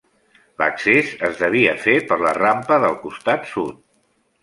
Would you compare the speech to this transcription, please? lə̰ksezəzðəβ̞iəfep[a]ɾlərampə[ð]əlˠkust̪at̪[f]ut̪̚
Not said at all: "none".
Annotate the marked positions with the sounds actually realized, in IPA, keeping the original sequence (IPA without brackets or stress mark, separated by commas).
ə, ð, s